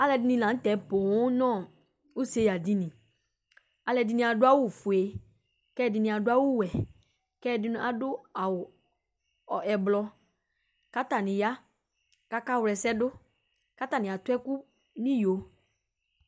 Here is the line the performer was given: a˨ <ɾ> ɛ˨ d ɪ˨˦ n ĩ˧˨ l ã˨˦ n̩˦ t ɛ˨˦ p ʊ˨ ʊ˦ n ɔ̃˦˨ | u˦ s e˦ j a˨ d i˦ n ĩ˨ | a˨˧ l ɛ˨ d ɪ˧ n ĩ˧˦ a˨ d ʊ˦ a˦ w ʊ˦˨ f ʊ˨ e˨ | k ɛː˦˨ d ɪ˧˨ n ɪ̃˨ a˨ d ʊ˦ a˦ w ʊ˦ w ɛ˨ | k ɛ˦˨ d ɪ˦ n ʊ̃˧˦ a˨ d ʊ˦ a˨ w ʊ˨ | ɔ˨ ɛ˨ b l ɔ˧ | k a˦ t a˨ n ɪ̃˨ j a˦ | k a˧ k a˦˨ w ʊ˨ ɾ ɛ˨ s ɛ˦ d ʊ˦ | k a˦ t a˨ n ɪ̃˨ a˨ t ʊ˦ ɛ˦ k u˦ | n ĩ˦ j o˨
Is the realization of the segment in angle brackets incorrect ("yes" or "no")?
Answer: yes